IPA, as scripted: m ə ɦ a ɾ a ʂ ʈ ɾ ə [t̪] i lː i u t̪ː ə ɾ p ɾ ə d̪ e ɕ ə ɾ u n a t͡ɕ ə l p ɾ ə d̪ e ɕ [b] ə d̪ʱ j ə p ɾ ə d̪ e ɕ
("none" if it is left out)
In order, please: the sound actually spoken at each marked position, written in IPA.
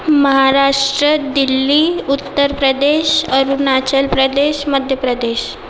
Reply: d̪, m

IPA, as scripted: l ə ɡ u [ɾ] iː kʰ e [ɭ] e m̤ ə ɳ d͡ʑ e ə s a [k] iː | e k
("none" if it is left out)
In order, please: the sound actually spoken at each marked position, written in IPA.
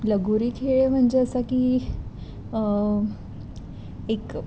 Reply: ɾ, ɭ, k

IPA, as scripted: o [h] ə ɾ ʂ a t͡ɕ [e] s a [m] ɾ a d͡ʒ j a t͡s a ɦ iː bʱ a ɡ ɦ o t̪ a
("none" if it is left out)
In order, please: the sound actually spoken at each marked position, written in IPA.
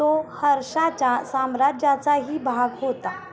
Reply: h, a, m

